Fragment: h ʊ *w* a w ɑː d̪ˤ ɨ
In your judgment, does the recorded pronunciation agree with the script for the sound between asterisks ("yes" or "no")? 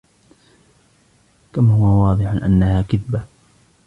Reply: yes